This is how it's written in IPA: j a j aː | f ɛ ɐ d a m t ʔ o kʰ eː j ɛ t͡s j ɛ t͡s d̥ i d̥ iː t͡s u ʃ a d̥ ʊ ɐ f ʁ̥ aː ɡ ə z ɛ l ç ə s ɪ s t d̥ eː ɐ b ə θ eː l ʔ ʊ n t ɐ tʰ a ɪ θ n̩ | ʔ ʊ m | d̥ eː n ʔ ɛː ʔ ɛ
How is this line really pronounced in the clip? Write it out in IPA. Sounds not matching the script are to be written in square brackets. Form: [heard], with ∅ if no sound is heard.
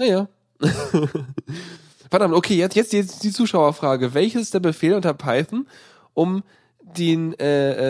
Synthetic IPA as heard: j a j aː | f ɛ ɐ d a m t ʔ o kʰ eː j ɛ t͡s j ɛ t͡s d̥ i d̥ iː t͡s [uː] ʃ a [∅] ʊ ɐ f ʁ̥ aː ɡ ə [v] ɛ l ç ə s ɪ s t d̥ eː ɐ b ə [f] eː l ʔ ʊ n t ɐ [pʰ] a ɪ θ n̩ | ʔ ʊ m | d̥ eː n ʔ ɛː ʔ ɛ